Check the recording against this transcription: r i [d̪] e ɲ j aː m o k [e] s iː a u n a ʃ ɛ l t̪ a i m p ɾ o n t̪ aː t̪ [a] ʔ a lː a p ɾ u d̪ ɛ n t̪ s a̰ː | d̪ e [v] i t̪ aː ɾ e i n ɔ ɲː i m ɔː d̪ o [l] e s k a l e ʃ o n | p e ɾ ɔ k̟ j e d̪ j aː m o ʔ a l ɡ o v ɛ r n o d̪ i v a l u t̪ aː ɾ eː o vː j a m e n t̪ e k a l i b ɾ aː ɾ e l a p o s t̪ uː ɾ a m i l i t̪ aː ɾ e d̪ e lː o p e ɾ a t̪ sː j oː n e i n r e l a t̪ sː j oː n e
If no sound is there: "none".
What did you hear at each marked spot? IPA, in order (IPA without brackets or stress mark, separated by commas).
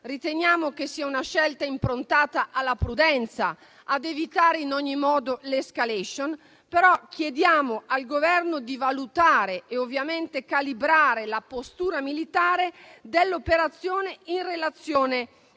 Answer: t̪, e, a, v, l